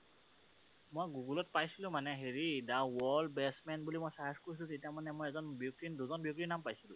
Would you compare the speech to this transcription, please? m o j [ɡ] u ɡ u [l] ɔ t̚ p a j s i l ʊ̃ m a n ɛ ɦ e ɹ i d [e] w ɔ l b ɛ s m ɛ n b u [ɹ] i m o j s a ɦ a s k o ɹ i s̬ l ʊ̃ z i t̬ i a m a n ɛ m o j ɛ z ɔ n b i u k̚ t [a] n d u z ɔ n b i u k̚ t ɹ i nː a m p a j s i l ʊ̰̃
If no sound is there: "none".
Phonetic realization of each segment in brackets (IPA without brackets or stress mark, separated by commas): ɡ, l, a, l, i